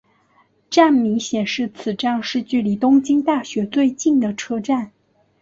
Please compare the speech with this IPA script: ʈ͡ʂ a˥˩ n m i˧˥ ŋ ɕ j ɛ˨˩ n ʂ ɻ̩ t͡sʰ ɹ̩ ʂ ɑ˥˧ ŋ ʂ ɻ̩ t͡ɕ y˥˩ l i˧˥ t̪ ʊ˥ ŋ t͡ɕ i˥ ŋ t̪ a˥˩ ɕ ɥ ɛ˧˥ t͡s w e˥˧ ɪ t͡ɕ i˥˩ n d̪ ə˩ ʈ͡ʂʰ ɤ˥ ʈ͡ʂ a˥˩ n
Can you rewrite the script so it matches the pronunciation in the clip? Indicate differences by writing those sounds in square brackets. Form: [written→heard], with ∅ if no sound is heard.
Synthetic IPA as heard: ʈ͡ʂ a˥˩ n m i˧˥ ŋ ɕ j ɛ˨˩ n ʂ ɻ̩ t͡sʰ ɹ̩ [ʂ→ʈ͡ʂ] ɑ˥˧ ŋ ʂ ɻ̩ t͡ɕ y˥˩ l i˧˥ t̪ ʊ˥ ŋ t͡ɕ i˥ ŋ t̪ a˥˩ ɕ ɥ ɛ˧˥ t͡s w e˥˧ ɪ t͡ɕ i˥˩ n d̪ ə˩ ʈ͡ʂʰ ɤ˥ ʈ͡ʂ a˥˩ n